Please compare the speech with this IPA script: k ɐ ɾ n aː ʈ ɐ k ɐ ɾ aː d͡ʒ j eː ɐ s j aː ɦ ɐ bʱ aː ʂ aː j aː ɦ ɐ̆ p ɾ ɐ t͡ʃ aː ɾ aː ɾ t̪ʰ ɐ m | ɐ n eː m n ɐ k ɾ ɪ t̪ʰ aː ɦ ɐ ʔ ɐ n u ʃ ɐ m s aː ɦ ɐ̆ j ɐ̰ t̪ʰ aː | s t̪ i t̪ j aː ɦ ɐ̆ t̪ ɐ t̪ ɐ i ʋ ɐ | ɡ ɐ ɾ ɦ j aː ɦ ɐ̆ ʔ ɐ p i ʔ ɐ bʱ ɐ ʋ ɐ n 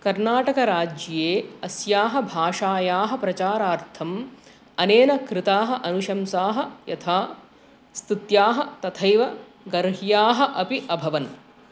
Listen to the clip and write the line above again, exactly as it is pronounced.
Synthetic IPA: k ɐ ɾ n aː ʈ ɐ k ɐ ɾ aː d͡ʒ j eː ɐ s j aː ɦ ɐ bʱ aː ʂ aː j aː ɦ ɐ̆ p ɾ ɐ t͡ʃ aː ɾ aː ɾ t̪ʰ ɐ m | ɐ n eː n ɐ k ɾ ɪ t̪ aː ɦ ɐ ʔ ɐ n u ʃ ɐ m s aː ɦ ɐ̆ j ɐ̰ t̪ʰ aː | s t̪ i t̪ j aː ɦ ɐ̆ t̪ ɐ t̪ʰ ɐ j ʋ ɐ | ɡ ɐ ɾ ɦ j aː ɦ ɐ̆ ʔ ɐ p i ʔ ɐ bʱ ɐ ʋ ɐ n

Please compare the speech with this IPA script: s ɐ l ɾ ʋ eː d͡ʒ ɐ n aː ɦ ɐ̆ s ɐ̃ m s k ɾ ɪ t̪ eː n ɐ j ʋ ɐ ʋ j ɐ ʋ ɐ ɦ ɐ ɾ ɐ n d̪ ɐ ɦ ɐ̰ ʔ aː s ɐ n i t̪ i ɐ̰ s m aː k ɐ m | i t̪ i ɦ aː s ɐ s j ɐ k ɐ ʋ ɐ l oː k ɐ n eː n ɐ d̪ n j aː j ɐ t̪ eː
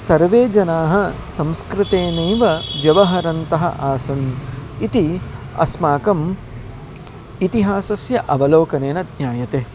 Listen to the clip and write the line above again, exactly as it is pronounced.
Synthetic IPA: s ɐ ɾ ʋ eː d͡ʒ ɐ n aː ɦ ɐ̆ s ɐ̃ m s k ɾ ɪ t̪ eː n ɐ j ʋ ɐ ʋ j ɐ ʋ ɐ ɦ ɐ ɾ ɐ n t̪ ɐ ɦ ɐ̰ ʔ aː s ɐ n i t̪ i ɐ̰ s m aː k ɐ m | i t̪ i ɦ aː s ɐ s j ɐ ʔ ɐ ʋ ɐ l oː k ɐ n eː n ɐ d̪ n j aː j ɐ t̪ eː

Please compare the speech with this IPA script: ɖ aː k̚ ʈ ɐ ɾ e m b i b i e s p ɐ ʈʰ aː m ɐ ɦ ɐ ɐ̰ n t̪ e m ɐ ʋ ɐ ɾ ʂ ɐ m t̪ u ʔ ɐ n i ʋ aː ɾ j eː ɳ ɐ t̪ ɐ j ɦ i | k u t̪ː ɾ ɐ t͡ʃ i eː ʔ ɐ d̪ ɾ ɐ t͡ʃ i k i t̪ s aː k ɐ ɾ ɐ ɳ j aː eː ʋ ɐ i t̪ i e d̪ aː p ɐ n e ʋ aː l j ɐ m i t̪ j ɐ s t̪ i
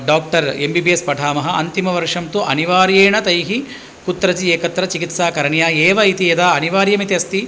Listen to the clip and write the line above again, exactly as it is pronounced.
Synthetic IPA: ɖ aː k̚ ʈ ɐ ɾ e m b i b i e s p ɐ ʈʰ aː m ɐ ɦ ɐ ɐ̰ n t̪ i m ɐ ʋ ɐ ɾ ʂ ɐ m t̪ u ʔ ɐ n i ʋ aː ɾ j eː ɳ ɐ t̪ ɐ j ɦ i | k u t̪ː ɾ ɐ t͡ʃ i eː k ɐ t̪ ɾ ɐ t͡ʃ i k i t̪ s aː k ɐ ɾ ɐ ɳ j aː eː ʋ ɐ i t̪ i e d̪ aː ɐ n i ʋ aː ɾ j ɐ m i t̪ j ɐ s t̪ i

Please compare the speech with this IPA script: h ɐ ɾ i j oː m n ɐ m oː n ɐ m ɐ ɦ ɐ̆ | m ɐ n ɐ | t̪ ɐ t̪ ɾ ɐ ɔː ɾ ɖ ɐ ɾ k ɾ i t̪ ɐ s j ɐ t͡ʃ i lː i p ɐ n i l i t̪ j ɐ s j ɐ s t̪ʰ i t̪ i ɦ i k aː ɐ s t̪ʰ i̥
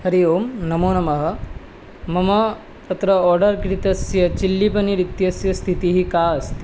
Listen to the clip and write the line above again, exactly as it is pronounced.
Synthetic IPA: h ɐ ɾ i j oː m n ɐ m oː n ɐ m ɐ ɦ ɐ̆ | m ɐ m ɐ | t̪ ɐ t̪ ɾ ɐ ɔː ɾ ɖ ɐ ɾ k ɾ i t̪ ɐ s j ɐ t͡ʃ i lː i p ɐ n i ɾ i t̪ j ɐ s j ɐ s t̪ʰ i t̪ i ɦ i k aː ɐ s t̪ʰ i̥

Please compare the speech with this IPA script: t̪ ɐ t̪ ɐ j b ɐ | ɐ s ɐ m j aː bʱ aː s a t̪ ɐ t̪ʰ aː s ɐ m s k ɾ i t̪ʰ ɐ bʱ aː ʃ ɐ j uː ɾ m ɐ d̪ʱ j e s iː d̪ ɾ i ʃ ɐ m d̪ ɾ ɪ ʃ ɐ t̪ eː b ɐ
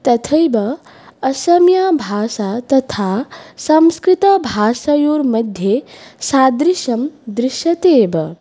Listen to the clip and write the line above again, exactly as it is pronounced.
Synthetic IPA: t̪ ɐ t̪ʰ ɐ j b ɐ | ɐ s ɐ m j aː bʱ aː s a t̪ ɐ t̪ʰ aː s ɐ m s k ɾ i t̪ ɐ bʱ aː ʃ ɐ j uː ɾ m ɐ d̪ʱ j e s aː d̪ ɾ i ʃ ɐ m d̪ ɾ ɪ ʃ ɐ t̪ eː b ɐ

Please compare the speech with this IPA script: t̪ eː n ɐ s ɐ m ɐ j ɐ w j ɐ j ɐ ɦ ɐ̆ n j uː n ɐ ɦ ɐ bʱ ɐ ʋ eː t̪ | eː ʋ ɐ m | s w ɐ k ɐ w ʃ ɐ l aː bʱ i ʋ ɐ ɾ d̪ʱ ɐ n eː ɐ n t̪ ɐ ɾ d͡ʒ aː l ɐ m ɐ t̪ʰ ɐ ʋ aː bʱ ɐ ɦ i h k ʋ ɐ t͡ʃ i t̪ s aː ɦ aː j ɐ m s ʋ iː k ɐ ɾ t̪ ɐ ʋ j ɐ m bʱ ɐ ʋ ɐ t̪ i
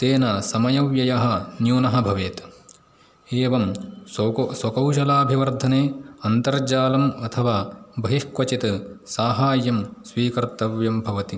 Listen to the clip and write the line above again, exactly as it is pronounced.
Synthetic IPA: t̪ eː n ɐ s ɐ m ɐ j ɐ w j ɐ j ɐ ɦ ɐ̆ n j uː n ɐ ɦ ɐ bʱ ɐ ʋ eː t̪ | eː ʋ ɐ m | s w ɐ k ɐ w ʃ ɐ l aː bʱ i ʋ ɐ ɾ d̪ʱ ɐ n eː ɐ n t̪ ɐ ɾ d͡ʒ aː l ɐ m ɐ t̪ʰ ɐ ʋ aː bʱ ɐ ɦ i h k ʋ ɐ t͡ʃ i t̪ s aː ɦ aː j ɐ m s ʋ iː k ɐ ɾ t̪ ɐ ʋ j ɐ m bʱ ɐ ʋ ɐ t̪ i

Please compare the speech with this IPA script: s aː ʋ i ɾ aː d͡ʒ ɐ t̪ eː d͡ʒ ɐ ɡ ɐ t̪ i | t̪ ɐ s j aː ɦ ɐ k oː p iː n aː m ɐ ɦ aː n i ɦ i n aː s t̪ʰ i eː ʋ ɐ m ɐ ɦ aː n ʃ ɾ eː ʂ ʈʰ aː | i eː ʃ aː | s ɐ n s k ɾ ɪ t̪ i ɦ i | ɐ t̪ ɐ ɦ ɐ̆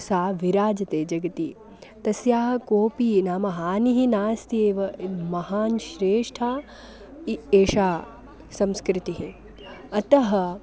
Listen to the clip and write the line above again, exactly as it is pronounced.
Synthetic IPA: s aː ʋ i ɾ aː d͡ʒ ɐ t̪ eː d͡ʒ ɐ ɡ ɐ t̪ i | t̪ ɐ s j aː ɦ ɐ k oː p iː n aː m ɐ ɦ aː n i ɦ i n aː s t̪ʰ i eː ʋ ɐ m ɐ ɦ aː n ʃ ɾ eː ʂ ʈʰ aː | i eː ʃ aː | s ɐ m s k ɾ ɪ t̪ i ɦ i | ɐ t̪ ɐ ɦ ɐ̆

